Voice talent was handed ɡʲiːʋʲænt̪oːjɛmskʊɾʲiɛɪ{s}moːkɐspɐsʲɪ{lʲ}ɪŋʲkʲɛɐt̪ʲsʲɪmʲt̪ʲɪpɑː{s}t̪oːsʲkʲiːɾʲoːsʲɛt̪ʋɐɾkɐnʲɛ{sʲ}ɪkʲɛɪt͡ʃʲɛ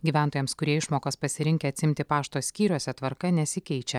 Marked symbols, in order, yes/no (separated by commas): no, no, no, yes